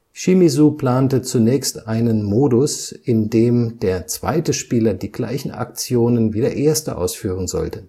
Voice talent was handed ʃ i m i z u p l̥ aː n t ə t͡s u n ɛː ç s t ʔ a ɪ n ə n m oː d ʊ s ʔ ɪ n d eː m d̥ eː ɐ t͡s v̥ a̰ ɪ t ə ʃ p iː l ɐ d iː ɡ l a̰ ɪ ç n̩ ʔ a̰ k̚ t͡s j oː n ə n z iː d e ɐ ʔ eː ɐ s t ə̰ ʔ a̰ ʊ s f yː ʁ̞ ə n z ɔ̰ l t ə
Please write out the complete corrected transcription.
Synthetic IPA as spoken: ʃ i m i z u p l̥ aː n t ə t͡s u n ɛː ç s t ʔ a ɪ n ə n m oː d ʊ s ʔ ɪ n d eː m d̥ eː ɐ t͡s v̥ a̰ ɪ t ə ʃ p iː l ɐ d iː ɡ l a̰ ɪ ç n̩ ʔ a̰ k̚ t͡s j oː n ə n v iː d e ɐ ʔ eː ɐ s t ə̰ ʔ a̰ ʊ s f yː ʁ̞ ə n z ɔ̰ l t ə